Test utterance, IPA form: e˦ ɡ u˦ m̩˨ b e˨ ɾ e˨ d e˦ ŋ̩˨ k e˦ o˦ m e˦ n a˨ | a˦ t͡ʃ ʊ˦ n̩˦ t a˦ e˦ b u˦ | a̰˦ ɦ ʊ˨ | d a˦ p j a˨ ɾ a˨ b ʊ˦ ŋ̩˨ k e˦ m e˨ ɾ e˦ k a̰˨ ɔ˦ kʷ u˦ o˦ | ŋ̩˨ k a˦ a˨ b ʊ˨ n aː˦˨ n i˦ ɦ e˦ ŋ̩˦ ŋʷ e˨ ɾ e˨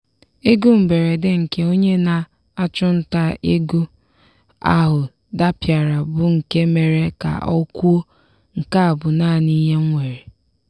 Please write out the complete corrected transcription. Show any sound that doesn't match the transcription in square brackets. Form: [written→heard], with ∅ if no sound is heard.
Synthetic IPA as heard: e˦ ɡ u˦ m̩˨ b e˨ ɾ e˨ d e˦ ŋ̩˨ k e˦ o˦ [m→ɲ] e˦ n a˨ | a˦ t͡ʃ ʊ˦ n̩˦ t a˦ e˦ [b→ɡ] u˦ | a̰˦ ɦ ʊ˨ | d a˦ p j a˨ ɾ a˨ b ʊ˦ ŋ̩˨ k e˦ m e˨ ɾ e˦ k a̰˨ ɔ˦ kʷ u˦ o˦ | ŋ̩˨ k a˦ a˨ b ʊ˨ n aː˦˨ n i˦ ɦ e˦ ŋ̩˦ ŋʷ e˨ ɾ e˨